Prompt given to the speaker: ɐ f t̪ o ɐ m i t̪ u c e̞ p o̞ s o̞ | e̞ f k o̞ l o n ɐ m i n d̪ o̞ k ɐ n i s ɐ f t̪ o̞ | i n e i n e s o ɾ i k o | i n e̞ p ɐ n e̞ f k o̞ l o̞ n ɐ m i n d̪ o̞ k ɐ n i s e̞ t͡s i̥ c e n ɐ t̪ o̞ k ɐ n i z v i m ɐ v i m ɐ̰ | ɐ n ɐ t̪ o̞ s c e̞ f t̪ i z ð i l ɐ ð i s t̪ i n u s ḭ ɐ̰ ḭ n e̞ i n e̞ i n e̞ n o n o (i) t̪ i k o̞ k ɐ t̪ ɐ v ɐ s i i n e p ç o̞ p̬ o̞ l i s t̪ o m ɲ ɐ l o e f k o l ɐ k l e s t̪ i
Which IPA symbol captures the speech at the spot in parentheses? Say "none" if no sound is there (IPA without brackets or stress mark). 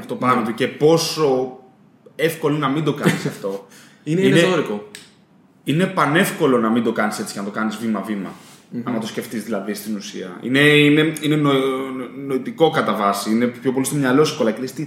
i